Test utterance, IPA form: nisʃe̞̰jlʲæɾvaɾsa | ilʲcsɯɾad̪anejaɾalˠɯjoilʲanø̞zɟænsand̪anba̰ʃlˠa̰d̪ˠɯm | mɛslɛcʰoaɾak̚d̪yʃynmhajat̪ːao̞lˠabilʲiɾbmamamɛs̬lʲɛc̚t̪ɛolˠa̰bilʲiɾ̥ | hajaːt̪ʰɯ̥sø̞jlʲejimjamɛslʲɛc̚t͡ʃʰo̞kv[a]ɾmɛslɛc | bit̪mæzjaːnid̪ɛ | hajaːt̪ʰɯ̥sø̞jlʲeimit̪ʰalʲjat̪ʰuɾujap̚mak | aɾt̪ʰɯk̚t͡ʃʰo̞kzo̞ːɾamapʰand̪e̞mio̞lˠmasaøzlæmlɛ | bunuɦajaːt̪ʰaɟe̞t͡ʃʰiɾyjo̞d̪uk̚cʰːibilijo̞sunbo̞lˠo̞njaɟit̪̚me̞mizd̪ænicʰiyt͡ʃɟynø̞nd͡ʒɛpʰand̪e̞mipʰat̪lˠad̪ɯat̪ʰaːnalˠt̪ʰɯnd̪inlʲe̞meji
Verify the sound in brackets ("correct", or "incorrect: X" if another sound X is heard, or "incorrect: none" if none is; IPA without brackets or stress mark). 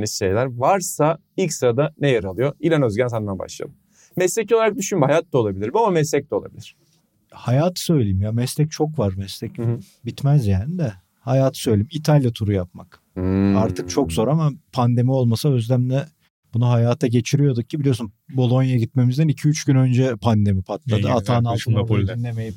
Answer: correct